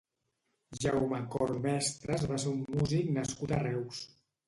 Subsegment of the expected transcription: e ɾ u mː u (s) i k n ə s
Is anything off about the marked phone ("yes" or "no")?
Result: yes